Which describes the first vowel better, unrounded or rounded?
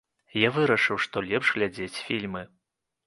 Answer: unrounded